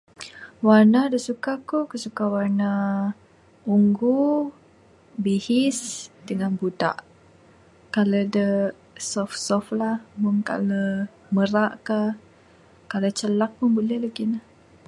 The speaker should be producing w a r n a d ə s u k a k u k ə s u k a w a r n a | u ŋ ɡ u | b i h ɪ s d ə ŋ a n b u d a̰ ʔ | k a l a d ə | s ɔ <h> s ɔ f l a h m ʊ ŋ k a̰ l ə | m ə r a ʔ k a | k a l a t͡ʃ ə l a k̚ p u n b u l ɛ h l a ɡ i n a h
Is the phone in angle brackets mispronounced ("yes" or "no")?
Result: yes